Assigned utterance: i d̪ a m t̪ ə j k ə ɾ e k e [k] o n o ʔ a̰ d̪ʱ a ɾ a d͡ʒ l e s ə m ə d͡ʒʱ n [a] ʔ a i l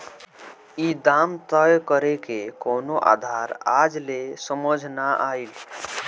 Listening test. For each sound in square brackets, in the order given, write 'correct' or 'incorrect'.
correct, correct

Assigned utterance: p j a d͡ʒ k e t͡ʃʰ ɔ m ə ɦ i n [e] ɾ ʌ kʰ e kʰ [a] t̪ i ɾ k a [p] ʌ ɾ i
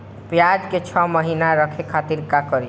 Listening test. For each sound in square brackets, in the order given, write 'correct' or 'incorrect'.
incorrect: a, correct, incorrect: k

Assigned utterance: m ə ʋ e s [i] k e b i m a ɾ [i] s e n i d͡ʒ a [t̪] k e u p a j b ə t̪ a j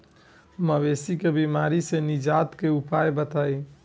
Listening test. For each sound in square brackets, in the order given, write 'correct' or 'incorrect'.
correct, correct, correct

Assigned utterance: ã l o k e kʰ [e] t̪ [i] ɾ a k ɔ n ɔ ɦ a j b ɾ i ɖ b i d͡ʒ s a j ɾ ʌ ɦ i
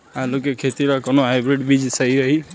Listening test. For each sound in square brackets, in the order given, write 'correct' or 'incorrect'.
correct, correct

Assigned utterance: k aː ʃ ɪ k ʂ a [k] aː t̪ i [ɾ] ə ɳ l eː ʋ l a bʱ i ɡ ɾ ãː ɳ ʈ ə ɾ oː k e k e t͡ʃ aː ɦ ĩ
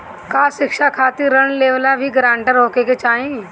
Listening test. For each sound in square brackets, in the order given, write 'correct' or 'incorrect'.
incorrect: kʰ, correct

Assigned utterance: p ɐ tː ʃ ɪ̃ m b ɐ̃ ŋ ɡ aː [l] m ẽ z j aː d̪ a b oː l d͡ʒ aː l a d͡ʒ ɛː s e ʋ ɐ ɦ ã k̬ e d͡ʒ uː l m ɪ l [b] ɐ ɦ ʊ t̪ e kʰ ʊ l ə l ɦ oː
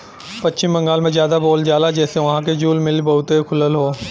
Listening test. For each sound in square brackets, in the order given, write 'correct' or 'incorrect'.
correct, correct

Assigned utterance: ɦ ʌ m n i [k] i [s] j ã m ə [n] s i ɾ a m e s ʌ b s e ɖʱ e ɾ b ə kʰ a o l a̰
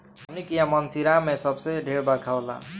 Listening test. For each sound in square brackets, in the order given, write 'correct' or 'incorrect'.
correct, incorrect: none, correct

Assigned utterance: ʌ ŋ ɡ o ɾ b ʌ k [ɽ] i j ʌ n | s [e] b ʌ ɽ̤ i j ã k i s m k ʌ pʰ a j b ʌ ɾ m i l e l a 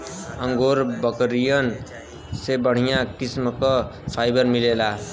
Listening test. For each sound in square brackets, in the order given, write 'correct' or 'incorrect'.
incorrect: ɾ, correct

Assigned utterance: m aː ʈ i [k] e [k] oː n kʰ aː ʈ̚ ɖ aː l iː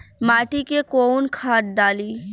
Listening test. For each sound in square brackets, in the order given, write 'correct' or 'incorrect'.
correct, correct

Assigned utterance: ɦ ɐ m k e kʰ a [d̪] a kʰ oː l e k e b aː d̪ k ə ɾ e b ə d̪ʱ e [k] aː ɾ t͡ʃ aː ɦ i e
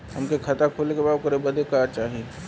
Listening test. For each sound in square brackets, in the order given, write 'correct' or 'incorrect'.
incorrect: t̪, correct

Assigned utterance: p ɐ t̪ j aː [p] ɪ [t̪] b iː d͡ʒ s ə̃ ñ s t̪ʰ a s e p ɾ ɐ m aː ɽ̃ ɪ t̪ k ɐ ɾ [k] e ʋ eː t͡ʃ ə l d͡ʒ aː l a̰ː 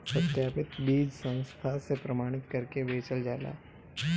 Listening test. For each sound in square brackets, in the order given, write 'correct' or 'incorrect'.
correct, correct, correct

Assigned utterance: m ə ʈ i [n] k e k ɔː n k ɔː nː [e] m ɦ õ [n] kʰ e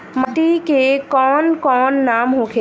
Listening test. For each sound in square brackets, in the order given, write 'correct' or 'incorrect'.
incorrect: none, incorrect: a, incorrect: none

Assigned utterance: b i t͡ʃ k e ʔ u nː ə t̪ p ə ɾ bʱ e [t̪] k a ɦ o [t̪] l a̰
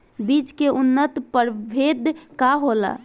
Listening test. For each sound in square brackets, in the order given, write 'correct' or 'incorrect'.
incorrect: d̪, incorrect: none

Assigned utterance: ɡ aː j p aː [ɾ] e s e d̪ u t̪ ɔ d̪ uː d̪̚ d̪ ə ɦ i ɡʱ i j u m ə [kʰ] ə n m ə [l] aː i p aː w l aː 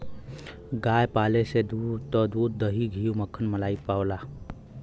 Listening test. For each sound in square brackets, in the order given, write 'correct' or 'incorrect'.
incorrect: l, correct, correct

